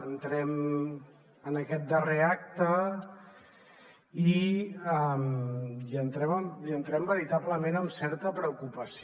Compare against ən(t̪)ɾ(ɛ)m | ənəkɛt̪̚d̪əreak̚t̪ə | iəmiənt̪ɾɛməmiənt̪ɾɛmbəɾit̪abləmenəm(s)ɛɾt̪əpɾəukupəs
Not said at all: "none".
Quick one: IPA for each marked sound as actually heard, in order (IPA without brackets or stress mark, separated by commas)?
t̪, ɛ, s